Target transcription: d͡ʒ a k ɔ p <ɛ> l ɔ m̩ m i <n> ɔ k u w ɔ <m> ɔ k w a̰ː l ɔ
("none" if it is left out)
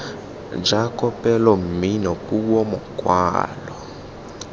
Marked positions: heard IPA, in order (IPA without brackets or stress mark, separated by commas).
ɛ, n, m